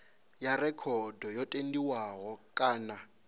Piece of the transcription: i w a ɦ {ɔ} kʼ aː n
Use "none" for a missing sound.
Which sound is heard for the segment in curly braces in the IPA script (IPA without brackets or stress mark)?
ɔ